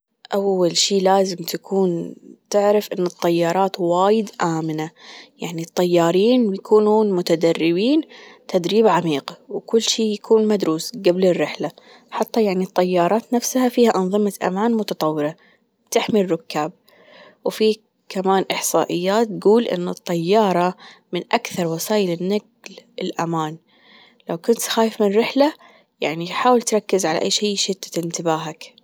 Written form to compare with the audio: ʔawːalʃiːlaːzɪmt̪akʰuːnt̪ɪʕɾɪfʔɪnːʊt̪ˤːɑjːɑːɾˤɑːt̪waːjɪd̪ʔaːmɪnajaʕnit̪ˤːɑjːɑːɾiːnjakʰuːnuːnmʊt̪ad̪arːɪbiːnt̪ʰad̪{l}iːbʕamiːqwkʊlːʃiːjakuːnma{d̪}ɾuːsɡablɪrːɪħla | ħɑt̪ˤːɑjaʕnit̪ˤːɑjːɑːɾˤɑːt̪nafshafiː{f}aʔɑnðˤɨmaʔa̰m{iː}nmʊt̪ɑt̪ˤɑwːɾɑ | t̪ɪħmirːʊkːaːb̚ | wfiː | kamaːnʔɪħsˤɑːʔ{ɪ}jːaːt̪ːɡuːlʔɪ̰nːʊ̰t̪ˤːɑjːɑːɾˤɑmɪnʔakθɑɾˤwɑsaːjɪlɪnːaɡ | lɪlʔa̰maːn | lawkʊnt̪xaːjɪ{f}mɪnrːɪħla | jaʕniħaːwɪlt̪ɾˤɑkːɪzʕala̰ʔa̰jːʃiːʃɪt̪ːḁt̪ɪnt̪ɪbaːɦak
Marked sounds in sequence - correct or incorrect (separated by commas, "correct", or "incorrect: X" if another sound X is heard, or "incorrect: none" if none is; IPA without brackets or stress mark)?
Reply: incorrect: ɾ, correct, incorrect: h, incorrect: aː, correct, correct